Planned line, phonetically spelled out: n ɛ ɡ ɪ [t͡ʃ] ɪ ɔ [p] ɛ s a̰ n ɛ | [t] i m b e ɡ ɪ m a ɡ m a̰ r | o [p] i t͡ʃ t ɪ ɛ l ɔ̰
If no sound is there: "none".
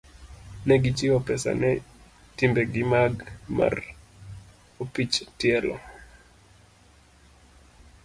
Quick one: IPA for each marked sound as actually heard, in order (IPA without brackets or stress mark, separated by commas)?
t͡ʃ, p, t, p